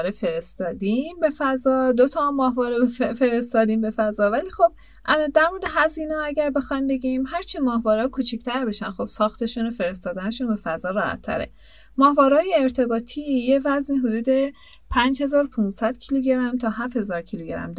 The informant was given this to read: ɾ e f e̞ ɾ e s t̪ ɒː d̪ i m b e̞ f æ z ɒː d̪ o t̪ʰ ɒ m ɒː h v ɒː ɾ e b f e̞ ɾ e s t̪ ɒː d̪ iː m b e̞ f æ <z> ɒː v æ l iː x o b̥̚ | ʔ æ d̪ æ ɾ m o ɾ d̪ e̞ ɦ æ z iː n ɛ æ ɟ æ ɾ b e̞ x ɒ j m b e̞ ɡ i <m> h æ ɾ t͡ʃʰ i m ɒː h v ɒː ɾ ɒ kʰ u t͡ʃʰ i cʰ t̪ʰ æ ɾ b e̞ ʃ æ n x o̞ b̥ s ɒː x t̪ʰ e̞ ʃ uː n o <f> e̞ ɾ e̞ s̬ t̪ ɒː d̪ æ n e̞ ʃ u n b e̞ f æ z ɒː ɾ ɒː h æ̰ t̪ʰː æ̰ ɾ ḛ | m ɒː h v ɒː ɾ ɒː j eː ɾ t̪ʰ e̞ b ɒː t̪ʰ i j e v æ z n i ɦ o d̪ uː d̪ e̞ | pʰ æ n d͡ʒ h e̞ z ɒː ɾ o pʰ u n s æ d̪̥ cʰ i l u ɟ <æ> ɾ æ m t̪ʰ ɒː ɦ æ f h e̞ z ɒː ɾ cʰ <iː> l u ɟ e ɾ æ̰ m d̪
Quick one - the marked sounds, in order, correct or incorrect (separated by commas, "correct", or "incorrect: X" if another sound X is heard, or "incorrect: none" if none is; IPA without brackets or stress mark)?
correct, correct, correct, incorrect: e, incorrect: i